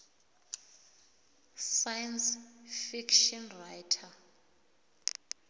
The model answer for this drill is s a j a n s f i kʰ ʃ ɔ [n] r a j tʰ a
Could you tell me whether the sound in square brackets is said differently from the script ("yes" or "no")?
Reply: no